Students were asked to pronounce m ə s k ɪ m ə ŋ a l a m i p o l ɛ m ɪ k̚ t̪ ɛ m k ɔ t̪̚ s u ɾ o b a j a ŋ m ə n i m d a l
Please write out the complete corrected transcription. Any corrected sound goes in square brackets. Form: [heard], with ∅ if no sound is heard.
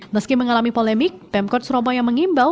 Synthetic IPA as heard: m ə s k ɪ m ə ŋ a l a m i p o l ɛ m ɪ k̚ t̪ ɛ m k ɔ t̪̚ s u ɾ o b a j a ŋ m ə [ŋ] i m [b] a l